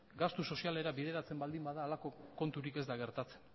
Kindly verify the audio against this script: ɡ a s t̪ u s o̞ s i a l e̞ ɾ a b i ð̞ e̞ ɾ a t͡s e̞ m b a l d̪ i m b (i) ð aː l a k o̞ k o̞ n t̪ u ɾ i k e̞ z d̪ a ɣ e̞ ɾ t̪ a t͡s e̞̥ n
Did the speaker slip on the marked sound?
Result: yes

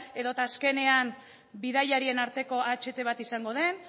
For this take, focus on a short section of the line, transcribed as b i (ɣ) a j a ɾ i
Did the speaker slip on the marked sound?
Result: yes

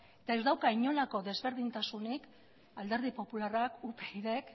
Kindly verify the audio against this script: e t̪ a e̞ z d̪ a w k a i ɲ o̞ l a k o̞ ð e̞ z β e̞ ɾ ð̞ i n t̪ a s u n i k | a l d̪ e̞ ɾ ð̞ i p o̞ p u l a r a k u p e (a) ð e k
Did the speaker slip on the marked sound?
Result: yes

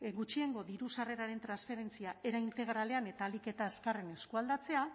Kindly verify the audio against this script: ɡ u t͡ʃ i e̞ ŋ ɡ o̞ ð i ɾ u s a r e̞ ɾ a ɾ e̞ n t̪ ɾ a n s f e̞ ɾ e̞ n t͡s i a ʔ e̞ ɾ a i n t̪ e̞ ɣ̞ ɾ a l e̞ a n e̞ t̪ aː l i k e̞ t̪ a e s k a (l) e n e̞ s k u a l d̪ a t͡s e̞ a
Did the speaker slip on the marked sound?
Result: yes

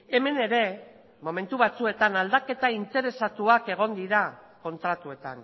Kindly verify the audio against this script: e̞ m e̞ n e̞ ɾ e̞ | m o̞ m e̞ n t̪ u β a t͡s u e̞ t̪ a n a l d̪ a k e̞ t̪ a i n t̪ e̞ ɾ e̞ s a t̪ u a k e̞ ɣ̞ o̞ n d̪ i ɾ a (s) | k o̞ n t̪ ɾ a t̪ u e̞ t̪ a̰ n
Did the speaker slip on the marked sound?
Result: yes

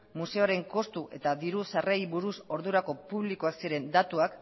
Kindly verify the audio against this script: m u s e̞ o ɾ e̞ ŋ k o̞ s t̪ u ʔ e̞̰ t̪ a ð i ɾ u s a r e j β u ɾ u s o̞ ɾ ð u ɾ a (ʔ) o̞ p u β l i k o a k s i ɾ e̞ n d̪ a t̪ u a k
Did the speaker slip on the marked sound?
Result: yes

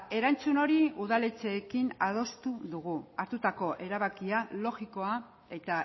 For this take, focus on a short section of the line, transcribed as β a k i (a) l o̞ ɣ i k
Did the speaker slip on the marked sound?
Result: no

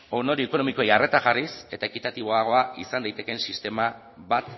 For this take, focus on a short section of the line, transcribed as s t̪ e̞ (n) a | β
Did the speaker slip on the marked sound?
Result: yes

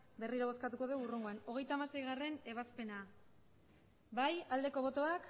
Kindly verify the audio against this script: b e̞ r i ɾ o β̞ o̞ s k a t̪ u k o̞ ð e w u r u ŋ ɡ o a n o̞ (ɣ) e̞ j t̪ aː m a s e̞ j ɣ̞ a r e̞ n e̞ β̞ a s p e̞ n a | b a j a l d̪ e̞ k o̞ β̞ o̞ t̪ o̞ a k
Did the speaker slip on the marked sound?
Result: no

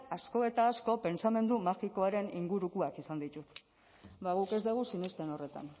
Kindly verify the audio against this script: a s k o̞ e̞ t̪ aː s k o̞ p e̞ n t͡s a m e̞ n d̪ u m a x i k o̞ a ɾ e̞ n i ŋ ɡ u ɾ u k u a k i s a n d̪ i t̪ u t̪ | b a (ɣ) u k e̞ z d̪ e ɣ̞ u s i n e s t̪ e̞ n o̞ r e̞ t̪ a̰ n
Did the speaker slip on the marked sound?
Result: no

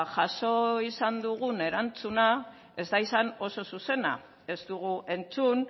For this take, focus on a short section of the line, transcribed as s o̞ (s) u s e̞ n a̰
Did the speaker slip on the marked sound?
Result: no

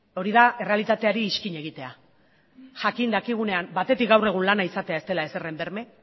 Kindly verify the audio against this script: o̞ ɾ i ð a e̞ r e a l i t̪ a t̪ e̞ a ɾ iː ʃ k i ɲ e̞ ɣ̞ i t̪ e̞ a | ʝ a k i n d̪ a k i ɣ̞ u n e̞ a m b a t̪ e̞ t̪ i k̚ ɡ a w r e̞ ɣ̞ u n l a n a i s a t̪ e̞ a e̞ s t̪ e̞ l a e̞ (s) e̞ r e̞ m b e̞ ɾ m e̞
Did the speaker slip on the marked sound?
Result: no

